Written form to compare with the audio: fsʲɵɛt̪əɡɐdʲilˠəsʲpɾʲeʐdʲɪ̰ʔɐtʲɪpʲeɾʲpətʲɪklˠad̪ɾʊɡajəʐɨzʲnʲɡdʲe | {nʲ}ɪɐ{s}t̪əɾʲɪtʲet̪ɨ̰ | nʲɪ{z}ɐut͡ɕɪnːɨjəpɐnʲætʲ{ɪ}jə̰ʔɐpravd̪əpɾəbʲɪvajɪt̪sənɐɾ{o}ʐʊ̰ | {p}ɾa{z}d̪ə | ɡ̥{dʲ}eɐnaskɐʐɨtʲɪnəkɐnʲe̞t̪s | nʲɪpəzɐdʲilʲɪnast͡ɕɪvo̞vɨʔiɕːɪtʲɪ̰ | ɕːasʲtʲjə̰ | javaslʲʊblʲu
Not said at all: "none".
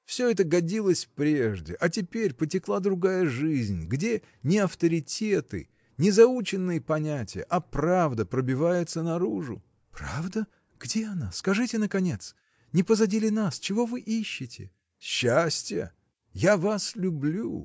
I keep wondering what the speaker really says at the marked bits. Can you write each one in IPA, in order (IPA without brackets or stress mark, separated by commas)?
nʲ, f, z, ɪ, u, p, v, dʲ